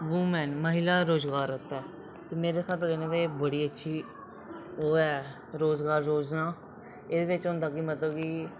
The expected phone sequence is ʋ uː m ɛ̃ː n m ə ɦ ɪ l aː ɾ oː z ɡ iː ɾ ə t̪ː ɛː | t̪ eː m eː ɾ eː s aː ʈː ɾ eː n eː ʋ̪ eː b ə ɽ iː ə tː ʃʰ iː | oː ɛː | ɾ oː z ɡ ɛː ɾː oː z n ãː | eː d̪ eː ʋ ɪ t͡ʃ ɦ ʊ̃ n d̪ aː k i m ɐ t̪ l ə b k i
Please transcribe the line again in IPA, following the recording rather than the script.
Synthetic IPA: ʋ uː m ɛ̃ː n m ə ɦ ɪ l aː ɾ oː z ɡ aː ɾ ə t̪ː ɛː | t̪ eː m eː ɾ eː s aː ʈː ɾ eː n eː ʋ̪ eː b ə ɽ iː ə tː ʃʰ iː | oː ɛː | ɾ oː z ɡ aː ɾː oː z n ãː | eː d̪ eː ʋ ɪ t͡ʃ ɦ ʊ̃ n d̪ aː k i m ə t̪ l ə b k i